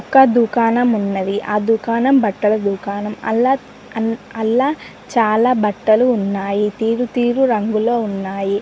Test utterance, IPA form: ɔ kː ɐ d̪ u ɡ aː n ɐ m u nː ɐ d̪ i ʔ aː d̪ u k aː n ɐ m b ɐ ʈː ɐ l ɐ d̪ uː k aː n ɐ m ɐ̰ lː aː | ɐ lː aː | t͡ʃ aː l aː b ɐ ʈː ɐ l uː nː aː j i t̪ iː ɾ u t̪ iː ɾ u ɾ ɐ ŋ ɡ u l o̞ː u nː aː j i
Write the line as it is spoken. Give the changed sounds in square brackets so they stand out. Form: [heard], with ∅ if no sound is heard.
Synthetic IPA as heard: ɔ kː ɐ d̪ u [k] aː n ɐ m u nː ɐ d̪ i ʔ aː d̪ u k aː n ɐ m b ɐ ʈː ɐ l ɐ d̪ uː k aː n ɐ m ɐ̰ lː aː | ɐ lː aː | t͡ʃ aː l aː b ɐ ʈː ɐ l uː nː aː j i t̪ iː ɾ u t̪ iː ɾ u ɾ ɐ ŋ ɡ u l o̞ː u nː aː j i